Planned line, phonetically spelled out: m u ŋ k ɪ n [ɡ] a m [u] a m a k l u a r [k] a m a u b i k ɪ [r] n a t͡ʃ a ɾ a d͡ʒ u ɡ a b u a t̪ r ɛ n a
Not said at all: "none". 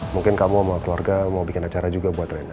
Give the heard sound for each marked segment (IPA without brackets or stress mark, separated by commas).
k, u, ɡ, none